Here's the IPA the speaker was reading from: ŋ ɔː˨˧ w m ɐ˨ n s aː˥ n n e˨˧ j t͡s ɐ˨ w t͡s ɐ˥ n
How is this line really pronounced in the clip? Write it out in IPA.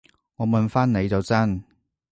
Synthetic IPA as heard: ŋ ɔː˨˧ m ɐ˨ n f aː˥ n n e˨˧ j t͡s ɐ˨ w t͡s ɐ˥ n